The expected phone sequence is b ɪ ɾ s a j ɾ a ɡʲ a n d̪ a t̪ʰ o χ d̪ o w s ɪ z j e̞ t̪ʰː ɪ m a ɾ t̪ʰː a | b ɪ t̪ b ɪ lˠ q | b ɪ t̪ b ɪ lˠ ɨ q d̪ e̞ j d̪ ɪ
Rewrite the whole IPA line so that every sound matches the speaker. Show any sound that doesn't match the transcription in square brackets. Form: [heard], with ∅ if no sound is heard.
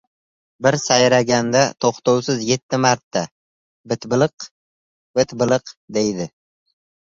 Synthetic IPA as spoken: b ɪ ɾ s a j ɾ a ɡʲ a n d̪ a t̪ʰ o χ [t̪] o w s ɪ z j e̞ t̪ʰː ɪ m a ɾ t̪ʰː a | b ɪ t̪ b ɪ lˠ q | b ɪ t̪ b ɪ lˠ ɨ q d̪ e̞ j d̪ ɪ